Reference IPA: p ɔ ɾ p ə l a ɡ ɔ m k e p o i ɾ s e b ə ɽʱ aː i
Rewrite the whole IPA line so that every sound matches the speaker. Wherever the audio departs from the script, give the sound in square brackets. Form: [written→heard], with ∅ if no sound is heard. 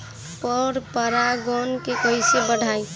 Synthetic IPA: p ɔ ɾ p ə [l→ɾ] a ɡ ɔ [m→n] k e [p→k] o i [ɾ→∅] s e b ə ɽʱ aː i